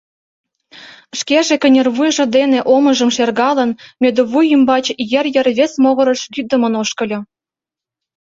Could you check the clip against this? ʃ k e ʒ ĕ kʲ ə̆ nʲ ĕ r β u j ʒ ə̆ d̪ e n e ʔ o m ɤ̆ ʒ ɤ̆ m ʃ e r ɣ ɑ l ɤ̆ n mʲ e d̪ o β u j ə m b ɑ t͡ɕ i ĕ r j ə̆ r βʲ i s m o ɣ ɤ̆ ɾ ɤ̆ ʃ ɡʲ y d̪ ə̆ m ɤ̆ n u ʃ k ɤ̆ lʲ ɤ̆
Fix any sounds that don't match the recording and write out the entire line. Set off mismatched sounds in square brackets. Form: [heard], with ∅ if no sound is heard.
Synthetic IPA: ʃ k e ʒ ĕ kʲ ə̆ nʲ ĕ r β u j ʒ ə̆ d̪ e n e ʔ o m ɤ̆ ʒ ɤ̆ m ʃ e r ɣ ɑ l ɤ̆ n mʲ e d̪ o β u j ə m b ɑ t͡ɕ [j] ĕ r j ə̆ r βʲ [e] s m o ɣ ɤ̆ ɾ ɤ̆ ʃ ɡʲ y d̪ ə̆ m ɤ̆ n [o] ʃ k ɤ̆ lʲ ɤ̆